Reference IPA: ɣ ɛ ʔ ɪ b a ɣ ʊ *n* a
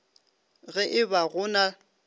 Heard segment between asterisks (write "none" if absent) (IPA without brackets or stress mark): n